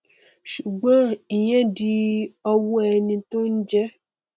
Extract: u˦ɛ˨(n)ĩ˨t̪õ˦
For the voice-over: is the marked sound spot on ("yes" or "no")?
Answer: yes